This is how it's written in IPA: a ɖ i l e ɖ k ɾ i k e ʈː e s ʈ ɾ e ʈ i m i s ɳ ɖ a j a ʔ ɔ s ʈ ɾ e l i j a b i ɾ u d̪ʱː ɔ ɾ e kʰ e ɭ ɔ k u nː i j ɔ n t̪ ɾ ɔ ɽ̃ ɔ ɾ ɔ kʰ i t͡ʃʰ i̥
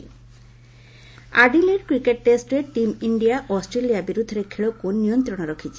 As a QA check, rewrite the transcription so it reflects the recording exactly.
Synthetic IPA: a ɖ i l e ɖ k ɾ i k e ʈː e s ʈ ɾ e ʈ i m i ɳ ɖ i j a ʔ ɔ s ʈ ɾ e l i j a b i ɾ u d̪ʱː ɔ ɾ e kʰ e ɭ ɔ k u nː i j ɔ n t̪ ɾ ɔ ɽ̃ ɔ ɾ ɔ kʰ i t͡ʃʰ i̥